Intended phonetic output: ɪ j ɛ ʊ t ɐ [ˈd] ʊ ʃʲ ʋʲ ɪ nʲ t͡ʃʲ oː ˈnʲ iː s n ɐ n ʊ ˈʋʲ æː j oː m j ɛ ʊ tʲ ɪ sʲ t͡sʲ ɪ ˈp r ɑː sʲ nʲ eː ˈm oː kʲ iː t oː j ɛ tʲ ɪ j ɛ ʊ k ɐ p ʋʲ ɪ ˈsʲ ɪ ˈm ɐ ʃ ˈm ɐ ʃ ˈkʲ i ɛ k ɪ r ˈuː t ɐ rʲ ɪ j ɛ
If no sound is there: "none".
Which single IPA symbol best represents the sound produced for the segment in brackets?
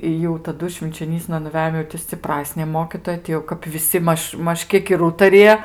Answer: d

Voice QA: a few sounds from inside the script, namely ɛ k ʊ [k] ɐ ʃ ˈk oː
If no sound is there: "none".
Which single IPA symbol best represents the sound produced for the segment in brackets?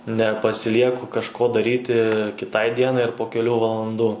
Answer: k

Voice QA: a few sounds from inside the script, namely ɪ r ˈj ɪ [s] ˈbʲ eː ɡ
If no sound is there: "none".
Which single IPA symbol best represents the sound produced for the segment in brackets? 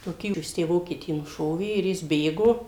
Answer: s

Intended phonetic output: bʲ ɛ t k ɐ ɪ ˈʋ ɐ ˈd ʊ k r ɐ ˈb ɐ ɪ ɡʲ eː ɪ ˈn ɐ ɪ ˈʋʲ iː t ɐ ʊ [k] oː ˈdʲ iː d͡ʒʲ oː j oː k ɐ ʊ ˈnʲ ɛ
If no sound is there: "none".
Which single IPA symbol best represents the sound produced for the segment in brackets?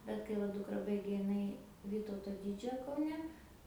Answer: t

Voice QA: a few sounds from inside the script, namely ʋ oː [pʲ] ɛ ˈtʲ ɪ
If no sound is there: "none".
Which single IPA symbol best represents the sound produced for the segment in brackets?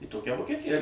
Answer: kʲ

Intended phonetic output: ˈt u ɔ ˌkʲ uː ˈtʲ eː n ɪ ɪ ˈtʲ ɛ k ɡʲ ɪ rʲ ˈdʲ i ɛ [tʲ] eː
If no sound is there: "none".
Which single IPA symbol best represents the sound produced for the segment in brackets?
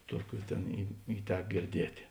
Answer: tʲ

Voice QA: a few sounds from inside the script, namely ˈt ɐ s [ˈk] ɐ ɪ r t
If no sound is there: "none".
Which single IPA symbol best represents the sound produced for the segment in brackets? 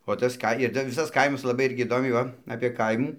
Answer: k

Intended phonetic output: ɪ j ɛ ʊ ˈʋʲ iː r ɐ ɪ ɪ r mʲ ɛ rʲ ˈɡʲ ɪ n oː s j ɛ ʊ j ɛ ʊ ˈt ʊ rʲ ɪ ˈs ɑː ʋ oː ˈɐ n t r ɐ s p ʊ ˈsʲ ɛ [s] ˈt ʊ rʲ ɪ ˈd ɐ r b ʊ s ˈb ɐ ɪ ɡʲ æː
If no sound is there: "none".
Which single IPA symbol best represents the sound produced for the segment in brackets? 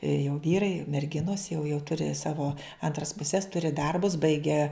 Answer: s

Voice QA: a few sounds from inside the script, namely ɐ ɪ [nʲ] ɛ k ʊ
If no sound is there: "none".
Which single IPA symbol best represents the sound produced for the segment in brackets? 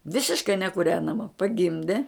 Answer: nʲ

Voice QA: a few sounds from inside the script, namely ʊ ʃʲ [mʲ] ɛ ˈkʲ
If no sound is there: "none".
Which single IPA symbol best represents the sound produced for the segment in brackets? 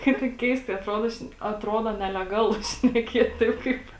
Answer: nʲ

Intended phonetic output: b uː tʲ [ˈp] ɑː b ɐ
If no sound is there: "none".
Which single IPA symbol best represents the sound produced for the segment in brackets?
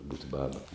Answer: b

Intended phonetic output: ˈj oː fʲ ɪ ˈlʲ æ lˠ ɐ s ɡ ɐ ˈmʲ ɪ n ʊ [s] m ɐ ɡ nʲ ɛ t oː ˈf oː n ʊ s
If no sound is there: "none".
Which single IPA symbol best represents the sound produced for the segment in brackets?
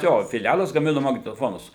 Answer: none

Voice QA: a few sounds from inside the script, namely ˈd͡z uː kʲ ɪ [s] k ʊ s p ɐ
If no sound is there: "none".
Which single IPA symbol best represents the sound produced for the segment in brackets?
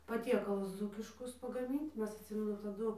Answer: ʃ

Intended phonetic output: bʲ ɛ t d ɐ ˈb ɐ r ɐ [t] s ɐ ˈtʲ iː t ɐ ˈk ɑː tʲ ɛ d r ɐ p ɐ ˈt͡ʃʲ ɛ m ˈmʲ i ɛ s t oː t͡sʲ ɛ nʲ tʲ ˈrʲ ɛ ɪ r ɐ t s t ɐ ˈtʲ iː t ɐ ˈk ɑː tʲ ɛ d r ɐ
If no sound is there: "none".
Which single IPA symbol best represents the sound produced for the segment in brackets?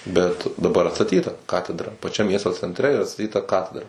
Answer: t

